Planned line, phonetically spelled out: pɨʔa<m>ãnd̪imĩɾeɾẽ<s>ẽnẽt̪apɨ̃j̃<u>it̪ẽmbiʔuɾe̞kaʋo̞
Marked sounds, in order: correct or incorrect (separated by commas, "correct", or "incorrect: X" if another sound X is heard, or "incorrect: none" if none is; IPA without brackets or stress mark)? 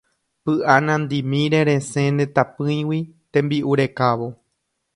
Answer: incorrect: n, correct, incorrect: w